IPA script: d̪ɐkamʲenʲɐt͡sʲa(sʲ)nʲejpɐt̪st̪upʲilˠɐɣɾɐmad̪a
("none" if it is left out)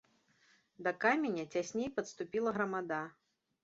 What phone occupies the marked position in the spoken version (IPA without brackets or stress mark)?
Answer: sʲ